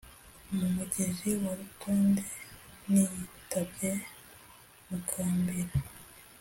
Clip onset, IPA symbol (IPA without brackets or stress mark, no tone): m